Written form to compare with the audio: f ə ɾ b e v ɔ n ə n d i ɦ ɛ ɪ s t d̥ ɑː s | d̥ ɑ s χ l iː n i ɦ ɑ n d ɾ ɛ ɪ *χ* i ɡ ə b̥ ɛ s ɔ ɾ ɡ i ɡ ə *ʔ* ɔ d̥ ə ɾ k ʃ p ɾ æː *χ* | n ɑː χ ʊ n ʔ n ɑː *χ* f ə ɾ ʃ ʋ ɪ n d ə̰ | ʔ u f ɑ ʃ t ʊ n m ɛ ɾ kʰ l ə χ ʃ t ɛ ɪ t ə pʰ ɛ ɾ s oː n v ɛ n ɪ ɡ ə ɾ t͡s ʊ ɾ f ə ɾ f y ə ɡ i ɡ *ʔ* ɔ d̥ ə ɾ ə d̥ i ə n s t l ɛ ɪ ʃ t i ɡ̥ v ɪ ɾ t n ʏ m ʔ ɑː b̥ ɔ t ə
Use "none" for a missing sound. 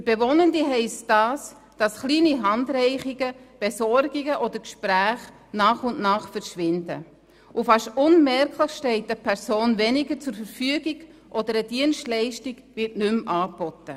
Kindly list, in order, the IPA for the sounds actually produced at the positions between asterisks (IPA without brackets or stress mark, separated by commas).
χ, ʔ, χ, χ, ʔ